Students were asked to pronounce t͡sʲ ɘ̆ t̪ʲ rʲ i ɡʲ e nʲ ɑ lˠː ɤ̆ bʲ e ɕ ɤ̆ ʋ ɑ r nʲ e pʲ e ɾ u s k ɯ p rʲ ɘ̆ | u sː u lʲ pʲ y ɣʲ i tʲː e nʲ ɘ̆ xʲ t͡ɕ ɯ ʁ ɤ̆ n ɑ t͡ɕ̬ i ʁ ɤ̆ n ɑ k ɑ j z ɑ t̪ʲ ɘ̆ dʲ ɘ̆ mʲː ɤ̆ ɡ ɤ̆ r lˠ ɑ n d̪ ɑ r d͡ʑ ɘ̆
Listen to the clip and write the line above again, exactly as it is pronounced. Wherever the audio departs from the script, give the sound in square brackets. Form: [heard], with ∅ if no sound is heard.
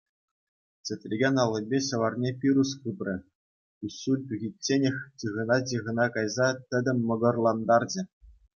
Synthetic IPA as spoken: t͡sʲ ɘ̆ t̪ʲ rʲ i ɡʲ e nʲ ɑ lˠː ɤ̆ bʲ e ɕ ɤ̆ ʋ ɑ r nʲ e pʲ [i] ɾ u s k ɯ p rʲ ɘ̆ | u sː u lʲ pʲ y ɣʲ i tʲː e nʲ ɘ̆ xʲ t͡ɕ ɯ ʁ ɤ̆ n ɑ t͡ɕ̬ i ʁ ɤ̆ n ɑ k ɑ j z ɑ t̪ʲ ɘ̆ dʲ ɘ̆ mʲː ɤ̆ ɡ ɤ̆ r lˠ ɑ n d̪ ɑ r d͡ʑ ɘ̆

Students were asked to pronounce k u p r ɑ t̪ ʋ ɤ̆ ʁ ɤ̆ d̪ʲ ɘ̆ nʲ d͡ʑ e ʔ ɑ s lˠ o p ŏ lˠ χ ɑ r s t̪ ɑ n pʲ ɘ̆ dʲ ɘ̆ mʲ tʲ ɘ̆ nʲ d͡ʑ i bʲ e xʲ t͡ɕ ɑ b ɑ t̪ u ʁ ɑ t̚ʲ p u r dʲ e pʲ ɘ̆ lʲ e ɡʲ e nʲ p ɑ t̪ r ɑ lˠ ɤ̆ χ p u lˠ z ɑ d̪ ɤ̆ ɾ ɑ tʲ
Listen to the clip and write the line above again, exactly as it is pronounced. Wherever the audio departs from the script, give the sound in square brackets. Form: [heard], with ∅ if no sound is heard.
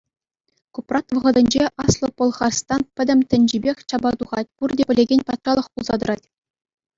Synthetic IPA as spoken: k u p r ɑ t̪ ʋ ɤ̆ ʁ ɤ̆ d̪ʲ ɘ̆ nʲ d͡ʑ e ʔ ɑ s lˠ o p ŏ lˠ χ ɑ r s t̪ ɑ n pʲ ɘ̆ dʲ ɘ̆ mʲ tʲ ɘ̆ nʲ d͡ʑ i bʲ e xʲ t͡ɕ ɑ b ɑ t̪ u ʁ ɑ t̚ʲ p u r dʲ e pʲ ɘ̆ lʲ e ɡʲ e nʲ p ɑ t̪ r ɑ lˠ ɤ̆ χ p u lˠ z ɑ d̪ ɤ̆ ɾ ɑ tʲ

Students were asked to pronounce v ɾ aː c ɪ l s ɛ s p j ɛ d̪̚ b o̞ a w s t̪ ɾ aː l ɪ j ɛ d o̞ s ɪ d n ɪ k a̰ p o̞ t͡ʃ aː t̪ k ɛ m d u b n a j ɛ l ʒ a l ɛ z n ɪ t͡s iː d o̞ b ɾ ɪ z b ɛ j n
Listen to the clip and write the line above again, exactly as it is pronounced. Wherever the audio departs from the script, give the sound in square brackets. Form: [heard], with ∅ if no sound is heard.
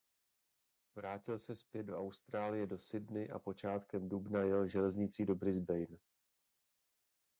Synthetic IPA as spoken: v ɾ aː c ɪ l s ɛ s p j ɛ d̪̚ [d] o̞ a w s t̪ ɾ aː l ɪ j ɛ d o̞ s ɪ d n ɪ [ʔ] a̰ p o̞ t͡ʃ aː t̪ k ɛ m d u b n a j ɛ l ʒ [ɛ] l ɛ z [ɲ] ɪ t͡s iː d o̞ b ɾ ɪ z b ɛ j n

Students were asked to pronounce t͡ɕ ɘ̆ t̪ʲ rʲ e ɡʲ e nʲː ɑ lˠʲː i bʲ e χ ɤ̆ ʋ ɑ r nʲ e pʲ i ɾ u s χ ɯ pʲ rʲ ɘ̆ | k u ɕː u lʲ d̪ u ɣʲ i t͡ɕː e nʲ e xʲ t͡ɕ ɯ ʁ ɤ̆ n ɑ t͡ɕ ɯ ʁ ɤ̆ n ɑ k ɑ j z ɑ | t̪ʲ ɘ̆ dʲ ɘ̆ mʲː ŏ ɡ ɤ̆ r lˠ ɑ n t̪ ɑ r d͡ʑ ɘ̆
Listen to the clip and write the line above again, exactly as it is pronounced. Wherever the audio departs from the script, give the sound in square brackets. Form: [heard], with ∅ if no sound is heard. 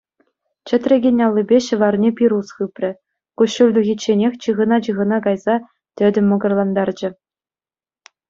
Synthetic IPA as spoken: t͡ɕ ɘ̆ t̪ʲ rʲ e ɡʲ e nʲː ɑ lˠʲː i bʲ e [ɕ] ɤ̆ ʋ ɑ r nʲ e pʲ i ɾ u s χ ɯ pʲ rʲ ɘ̆ | k u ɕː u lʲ d̪ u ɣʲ i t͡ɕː e nʲ e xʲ t͡ɕ ɯ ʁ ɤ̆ n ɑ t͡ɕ ɯ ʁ ɤ̆ n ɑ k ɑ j z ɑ | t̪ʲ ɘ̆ dʲ ɘ̆ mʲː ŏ ɡ ɤ̆ r lˠ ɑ n [d̪] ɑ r d͡ʑ ɘ̆

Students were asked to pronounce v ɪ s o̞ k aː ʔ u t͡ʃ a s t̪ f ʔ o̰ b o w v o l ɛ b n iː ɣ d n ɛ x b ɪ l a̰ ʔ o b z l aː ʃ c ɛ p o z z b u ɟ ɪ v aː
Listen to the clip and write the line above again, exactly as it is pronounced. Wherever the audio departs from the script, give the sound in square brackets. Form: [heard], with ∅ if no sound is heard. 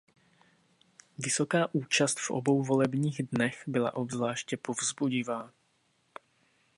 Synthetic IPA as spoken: v ɪ s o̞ k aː ʔ [uː] t͡ʃ a s t̪ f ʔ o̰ b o w v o l ɛ b [ɲ] iː ɣ d n ɛ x b ɪ l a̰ ʔ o b z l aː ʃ c ɛ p o [v] z b u ɟ ɪ v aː

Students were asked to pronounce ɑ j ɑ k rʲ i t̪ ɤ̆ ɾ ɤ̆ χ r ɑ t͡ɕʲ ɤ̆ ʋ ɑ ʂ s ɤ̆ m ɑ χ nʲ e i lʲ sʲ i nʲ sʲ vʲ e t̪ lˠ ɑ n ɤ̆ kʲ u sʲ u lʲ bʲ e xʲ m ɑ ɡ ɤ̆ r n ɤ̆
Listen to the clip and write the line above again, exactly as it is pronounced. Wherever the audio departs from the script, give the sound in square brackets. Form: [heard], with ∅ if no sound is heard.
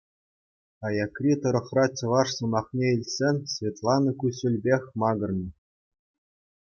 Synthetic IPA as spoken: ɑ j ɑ k rʲ i t̪ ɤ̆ ɾ ɤ̆ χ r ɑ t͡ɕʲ ɤ̆ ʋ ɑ ʂ s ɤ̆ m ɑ χ nʲ e i lʲ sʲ [e] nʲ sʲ vʲ e t̪ lˠ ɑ n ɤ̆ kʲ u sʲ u lʲ bʲ e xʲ m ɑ ɡ ɤ̆ r n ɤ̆

